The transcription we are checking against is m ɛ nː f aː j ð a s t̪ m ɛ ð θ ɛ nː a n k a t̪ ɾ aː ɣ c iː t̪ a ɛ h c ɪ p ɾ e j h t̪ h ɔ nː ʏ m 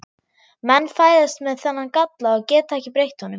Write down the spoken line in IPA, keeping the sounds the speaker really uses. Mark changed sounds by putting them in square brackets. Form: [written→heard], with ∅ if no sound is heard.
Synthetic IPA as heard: m ɛ nː f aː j ð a s t̪ m ɛ ð θ ɛ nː a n k a t̪ [ɾ→l] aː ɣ c [iː→ɛː] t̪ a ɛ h c ɪ p ɾ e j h t̪ h ɔ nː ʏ m